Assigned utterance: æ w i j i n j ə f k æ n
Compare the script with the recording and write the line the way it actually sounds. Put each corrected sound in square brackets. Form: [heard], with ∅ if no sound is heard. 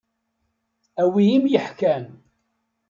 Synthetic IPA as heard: æ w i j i [m] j ə [ħ] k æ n